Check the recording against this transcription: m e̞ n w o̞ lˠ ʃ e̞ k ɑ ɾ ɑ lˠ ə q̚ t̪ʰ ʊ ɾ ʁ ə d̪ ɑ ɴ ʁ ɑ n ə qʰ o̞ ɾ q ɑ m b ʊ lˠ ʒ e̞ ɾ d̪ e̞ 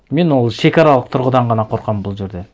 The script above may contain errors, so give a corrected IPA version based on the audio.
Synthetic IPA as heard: m e̞ n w o̞ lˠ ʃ e̞ k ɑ ɾ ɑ lˠ ə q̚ t̪ʰ ʊ ɾ ʁ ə d̪ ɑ ɴ ʁ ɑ n ɑ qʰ o̞ ɾ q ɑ m b ʊ lˠ ʒ e̞ ɾ d̪ e̞